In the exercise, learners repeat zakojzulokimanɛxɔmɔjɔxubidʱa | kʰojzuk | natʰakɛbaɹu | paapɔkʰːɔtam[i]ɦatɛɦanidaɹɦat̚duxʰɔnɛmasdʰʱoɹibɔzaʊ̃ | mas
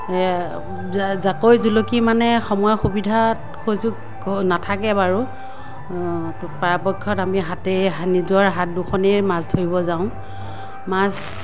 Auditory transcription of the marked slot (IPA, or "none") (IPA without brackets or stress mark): i